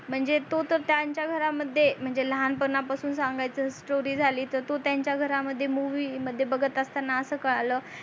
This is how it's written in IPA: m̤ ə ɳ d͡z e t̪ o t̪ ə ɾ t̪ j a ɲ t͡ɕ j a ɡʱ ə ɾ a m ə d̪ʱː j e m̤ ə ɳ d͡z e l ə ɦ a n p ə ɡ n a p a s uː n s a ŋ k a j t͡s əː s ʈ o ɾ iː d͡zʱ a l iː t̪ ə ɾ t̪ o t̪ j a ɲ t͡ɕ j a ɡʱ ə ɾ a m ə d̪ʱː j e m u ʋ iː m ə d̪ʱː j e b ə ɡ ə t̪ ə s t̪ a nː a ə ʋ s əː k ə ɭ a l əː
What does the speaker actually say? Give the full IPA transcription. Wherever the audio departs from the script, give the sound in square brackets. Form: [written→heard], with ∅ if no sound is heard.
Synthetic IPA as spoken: m̤ ə ɳ d͡z e t̪ o t̪ ə ɾ t̪ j a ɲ t͡ɕ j a ɡʱ ə ɾ a m ə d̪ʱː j e m̤ ə ɳ d͡z e l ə ɦ a n p ə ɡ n a p a s uː n s a ŋ [k→ɡ] a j t͡s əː s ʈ o ɾ iː d͡zʱ a l iː t̪ ə ɾ t̪ o t̪ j a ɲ t͡ɕ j a ɡʱ ə ɾ a m ə d̪ʱː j e m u ʋ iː m ə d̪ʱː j e b ə ɡ ə t̪ ə s t̪ a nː a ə [ʋ→∅] s əː k ə ɭ a l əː